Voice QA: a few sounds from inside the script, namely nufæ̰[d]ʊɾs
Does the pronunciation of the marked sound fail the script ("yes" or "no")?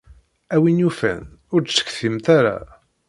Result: yes